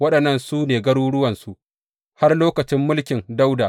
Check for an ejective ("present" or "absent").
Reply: absent